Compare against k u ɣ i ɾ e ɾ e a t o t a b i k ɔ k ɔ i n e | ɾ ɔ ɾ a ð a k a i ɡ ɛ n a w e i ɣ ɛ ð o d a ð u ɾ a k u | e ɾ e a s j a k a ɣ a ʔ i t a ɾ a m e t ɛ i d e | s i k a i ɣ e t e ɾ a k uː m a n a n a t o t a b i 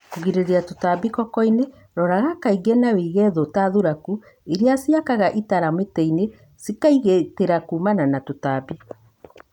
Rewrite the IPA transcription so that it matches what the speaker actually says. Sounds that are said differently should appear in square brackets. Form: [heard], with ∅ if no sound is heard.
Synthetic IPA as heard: k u ɣ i ɾ e ɾ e a t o t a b i k ɔ k ɔ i n e | ɾ ɔ ɾ a [ɣ] a k a i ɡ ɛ n a w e i ɣ ɛ ð o [t] a ð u ɾ a k u | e ɾ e a s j a k a ɣ a ʔ i t a ɾ a m e t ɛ i [n] e | s i k a i ɣ e t e ɾ a k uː m a n a n a t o t a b i